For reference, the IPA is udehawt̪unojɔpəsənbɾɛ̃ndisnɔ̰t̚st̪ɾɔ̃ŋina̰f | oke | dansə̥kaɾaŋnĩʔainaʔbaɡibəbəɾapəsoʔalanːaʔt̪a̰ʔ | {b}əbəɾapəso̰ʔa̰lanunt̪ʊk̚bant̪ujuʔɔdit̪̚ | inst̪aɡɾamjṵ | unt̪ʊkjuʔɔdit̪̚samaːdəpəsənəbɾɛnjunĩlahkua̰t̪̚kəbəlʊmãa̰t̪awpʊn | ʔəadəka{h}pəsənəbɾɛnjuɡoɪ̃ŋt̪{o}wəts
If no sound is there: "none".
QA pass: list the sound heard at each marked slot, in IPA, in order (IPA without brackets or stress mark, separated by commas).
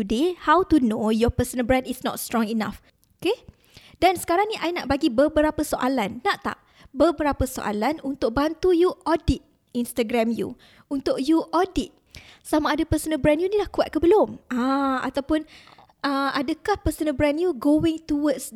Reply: b, h, u